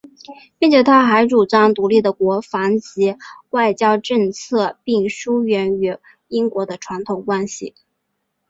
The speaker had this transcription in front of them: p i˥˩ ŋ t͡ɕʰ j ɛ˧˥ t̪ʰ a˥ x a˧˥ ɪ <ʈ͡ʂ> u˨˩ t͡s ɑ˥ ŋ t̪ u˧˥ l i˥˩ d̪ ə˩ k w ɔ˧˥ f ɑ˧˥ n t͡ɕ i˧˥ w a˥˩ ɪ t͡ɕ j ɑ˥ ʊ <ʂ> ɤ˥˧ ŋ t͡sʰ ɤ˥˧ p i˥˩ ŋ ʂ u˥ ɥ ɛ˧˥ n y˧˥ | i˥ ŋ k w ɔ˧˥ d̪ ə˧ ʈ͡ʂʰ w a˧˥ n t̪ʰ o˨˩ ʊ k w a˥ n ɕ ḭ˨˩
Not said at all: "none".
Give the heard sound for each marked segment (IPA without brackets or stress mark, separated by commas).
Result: ʈ͡ʂ, ʈ͡ʂ